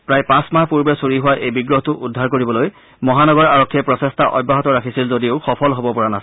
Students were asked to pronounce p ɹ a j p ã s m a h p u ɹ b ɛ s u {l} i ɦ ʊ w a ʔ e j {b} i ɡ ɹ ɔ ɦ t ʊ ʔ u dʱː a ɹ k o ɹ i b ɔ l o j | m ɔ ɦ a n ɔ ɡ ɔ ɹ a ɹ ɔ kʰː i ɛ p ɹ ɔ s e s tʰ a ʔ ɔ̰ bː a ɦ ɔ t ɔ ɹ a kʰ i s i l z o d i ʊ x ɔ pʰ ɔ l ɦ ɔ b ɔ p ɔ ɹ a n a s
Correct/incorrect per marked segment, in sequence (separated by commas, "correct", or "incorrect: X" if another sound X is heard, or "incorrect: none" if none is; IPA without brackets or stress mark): incorrect: ɹ, correct